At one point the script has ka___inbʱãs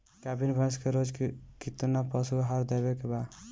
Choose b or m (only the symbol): b